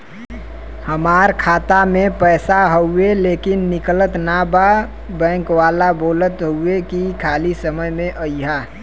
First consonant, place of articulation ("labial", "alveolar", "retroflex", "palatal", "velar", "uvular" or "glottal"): glottal